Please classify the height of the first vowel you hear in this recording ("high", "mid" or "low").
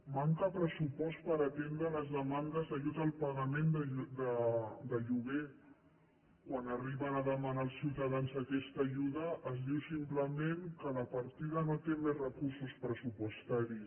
low